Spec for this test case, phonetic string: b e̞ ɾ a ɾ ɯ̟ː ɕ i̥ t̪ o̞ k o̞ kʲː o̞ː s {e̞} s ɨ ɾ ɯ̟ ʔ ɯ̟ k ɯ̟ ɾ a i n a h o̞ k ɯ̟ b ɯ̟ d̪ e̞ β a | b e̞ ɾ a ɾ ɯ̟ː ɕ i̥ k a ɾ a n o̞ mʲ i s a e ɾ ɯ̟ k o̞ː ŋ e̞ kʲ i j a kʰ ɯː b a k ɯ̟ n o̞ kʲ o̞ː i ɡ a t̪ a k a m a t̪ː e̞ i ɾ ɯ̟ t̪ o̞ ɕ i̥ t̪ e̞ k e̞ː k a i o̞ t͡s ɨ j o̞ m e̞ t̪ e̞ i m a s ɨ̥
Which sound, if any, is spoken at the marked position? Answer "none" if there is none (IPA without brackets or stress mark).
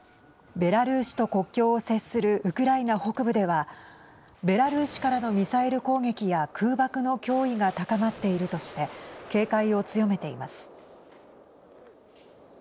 e̞